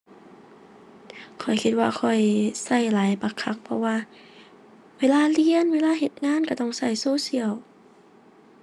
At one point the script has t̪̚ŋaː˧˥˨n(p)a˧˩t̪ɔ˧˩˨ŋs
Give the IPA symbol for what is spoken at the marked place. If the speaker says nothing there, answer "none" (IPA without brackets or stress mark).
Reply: k